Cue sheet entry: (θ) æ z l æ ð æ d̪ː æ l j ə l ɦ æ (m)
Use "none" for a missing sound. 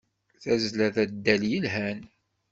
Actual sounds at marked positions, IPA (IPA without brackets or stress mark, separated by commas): θ, n